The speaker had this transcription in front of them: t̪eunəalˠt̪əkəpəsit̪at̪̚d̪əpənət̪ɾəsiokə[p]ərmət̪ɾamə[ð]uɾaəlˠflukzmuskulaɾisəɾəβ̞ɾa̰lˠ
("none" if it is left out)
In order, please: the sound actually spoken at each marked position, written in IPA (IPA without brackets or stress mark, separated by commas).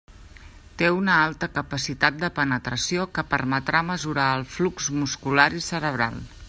p, z